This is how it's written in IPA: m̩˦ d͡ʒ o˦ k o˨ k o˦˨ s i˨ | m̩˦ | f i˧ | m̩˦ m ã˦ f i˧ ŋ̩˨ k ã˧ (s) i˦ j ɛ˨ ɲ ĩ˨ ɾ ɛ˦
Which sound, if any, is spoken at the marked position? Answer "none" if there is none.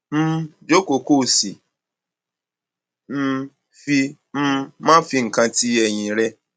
t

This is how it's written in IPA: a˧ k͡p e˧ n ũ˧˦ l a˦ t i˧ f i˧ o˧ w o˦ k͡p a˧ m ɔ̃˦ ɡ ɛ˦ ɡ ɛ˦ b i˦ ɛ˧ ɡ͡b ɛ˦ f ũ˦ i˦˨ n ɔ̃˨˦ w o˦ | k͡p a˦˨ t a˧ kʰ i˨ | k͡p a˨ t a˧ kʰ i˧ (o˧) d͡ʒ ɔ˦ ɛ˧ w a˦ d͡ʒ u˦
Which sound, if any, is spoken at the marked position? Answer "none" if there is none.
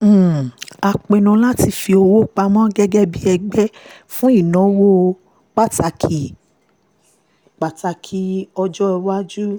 ɔ˧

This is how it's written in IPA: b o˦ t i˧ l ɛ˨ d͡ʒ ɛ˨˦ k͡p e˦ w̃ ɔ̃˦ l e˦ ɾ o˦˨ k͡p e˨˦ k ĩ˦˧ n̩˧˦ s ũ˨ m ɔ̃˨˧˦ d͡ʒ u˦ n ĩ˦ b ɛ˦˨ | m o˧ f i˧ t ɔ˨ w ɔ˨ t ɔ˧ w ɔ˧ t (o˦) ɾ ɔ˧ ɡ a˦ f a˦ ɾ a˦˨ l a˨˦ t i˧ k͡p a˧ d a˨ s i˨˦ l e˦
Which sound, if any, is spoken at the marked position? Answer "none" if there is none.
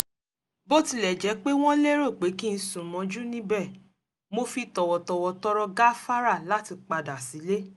ɔ˦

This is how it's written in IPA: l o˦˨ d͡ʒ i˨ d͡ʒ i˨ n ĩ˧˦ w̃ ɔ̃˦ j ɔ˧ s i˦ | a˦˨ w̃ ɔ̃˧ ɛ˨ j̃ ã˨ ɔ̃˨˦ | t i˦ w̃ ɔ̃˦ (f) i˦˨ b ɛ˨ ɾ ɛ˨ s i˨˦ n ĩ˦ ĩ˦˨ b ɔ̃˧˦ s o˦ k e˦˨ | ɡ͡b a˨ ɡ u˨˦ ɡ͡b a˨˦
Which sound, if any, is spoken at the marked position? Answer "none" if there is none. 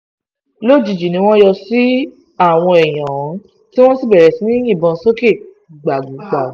s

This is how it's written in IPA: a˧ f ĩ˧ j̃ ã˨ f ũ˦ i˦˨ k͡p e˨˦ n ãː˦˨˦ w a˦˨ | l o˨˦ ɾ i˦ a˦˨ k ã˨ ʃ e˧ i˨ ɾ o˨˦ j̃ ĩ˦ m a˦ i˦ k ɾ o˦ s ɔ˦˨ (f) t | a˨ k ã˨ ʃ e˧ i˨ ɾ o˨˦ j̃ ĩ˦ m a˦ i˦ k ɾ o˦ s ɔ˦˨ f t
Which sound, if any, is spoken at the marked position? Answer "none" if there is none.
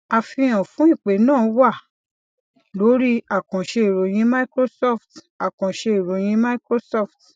f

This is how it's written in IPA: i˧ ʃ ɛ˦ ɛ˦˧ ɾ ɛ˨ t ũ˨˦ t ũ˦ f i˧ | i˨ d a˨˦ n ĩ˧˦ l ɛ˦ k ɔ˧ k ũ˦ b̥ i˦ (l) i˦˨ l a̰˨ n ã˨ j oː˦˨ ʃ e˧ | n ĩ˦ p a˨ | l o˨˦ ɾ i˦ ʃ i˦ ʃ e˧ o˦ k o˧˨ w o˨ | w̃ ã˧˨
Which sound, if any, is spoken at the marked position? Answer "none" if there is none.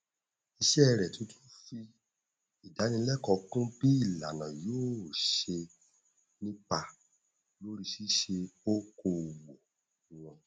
none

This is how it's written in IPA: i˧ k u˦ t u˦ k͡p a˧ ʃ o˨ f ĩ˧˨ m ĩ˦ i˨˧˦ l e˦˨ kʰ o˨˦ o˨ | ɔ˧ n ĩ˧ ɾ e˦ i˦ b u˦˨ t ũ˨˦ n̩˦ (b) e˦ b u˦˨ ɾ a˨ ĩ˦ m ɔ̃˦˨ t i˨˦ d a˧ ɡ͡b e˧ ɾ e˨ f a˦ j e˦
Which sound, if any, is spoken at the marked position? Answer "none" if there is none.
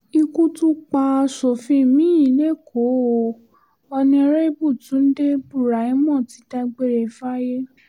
d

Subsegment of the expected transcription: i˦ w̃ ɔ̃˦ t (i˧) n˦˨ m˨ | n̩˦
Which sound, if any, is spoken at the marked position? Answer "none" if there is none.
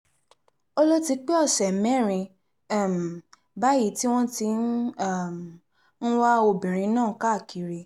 i˧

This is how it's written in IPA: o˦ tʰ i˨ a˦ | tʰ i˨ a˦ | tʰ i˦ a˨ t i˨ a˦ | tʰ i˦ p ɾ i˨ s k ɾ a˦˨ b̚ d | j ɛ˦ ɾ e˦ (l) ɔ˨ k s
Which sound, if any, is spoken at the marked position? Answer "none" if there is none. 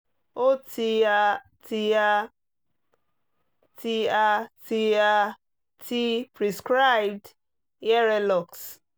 l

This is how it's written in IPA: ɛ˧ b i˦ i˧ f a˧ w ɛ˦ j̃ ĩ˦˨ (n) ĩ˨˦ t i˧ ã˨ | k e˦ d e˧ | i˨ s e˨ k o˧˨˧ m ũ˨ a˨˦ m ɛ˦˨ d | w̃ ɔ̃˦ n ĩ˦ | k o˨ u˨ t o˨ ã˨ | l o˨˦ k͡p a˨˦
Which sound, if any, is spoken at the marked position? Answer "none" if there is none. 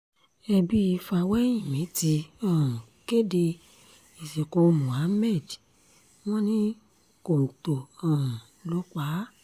m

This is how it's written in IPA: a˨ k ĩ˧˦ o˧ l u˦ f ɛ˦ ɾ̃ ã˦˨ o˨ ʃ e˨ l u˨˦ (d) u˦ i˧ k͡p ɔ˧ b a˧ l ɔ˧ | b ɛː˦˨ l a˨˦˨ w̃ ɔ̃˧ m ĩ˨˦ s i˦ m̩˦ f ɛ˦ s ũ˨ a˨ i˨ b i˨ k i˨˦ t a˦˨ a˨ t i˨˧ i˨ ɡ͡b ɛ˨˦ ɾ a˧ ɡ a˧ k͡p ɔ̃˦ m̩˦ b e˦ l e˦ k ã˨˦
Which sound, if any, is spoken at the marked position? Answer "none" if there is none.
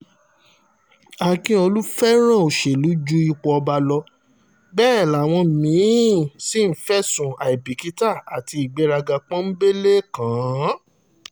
d͡ʒ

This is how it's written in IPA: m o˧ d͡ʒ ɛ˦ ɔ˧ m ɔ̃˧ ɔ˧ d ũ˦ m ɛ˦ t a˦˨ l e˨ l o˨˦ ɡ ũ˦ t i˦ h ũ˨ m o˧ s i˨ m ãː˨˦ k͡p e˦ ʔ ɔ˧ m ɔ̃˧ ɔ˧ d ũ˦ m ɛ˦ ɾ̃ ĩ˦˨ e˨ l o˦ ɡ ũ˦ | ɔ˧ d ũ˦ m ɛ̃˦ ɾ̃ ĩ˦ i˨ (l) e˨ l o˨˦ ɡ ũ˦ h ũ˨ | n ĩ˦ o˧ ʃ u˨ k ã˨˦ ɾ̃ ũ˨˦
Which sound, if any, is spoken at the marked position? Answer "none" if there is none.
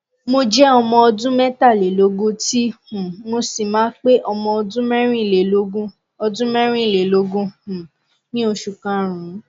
l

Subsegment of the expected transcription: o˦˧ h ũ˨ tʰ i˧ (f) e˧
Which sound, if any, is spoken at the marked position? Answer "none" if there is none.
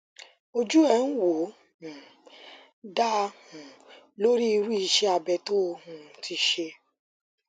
ʃ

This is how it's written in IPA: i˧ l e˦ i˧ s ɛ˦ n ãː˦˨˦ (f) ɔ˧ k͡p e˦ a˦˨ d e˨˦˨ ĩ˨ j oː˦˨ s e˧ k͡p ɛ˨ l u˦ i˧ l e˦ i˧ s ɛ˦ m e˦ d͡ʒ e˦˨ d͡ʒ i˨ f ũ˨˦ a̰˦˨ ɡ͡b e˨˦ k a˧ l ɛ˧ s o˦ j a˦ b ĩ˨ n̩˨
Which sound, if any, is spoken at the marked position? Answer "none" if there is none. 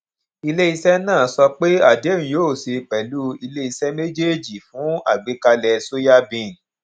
s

